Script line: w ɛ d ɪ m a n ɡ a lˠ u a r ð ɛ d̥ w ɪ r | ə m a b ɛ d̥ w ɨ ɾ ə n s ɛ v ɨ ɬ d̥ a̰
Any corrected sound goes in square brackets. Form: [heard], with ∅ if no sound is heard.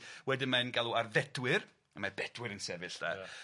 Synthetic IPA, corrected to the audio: w ɛ d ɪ m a n ɡ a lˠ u a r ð ɛ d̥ w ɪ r | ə m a b ɛ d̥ w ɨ ɾ ə n s ɛ v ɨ ɬ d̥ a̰